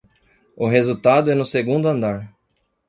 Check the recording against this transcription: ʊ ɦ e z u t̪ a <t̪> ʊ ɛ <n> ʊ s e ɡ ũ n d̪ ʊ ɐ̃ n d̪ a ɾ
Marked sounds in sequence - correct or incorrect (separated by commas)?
incorrect, correct